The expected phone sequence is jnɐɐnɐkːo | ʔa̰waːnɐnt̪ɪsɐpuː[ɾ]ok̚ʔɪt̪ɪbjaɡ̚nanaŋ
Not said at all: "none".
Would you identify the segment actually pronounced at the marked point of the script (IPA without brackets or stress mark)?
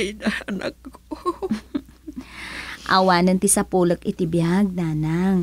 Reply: l